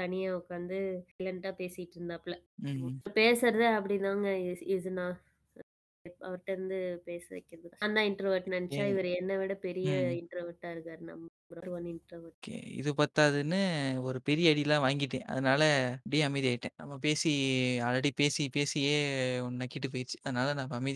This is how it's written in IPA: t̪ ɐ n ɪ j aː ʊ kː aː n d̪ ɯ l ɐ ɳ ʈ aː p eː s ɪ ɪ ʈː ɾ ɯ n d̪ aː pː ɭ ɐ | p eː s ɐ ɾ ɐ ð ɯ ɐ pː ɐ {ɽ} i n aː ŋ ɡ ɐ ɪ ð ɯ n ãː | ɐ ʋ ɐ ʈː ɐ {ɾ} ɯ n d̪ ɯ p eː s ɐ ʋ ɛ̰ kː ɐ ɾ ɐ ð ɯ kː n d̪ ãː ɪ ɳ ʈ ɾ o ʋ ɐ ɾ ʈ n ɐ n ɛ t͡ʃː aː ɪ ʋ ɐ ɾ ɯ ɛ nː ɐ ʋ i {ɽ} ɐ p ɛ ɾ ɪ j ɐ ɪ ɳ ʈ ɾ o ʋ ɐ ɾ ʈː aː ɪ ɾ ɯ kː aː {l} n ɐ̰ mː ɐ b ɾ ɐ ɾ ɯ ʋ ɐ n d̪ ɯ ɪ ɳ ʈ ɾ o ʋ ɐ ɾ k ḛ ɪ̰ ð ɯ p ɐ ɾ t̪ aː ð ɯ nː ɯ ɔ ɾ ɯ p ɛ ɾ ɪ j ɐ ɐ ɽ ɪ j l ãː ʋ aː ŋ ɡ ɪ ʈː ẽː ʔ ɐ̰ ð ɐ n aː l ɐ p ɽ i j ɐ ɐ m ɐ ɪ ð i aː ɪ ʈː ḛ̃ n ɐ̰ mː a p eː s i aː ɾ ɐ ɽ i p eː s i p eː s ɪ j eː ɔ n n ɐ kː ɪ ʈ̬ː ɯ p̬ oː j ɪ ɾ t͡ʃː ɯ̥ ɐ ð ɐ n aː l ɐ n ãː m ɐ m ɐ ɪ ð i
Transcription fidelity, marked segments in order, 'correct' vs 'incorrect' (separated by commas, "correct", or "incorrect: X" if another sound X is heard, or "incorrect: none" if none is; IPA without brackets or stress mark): correct, correct, correct, incorrect: ɾ